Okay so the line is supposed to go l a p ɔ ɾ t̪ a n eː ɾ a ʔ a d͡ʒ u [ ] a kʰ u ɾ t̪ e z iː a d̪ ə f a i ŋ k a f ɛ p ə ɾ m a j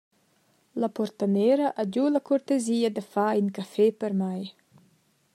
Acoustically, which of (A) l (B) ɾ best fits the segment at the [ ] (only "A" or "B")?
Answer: A